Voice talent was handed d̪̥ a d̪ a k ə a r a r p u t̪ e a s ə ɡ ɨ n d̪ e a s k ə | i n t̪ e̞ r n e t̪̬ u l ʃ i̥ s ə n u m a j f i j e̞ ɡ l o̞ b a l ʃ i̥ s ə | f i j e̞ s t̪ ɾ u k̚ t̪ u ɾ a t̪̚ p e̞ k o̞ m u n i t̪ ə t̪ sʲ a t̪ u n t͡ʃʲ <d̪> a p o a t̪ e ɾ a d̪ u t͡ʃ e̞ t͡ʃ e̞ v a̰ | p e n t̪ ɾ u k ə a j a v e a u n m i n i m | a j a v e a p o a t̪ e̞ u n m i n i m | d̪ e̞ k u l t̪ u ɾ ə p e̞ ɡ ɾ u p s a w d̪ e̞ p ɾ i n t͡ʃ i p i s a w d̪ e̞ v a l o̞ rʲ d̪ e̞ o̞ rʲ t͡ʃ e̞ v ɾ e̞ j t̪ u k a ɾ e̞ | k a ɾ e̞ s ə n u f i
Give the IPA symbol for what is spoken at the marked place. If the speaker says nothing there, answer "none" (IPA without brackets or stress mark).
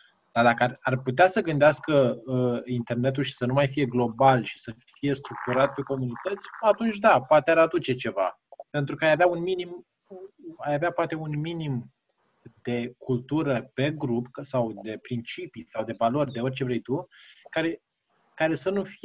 d̪